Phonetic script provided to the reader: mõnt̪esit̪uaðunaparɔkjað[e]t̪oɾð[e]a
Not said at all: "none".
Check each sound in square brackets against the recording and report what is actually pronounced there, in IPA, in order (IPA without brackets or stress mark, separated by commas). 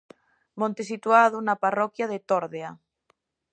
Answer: e, e